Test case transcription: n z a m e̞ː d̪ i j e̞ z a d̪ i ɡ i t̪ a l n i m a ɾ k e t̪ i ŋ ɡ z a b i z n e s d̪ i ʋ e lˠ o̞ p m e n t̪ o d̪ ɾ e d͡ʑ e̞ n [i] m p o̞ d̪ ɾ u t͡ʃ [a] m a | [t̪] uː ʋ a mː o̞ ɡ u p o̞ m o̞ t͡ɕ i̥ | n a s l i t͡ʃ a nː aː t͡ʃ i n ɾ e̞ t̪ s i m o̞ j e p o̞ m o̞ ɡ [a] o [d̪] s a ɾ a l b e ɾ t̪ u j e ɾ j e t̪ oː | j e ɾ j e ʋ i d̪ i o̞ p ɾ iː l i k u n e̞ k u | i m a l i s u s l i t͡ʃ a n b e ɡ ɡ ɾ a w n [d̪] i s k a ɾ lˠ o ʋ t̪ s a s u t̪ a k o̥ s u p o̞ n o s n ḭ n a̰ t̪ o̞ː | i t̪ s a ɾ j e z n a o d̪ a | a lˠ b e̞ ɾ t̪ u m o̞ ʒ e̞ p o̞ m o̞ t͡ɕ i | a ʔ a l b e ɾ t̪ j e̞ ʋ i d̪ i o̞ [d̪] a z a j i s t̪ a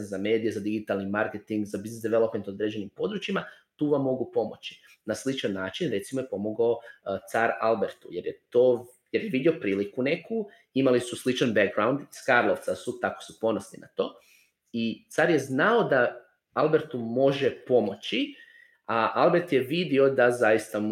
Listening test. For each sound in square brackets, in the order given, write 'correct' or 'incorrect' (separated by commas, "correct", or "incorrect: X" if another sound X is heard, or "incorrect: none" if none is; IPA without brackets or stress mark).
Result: correct, incorrect: i, correct, correct, incorrect: t̪, correct, correct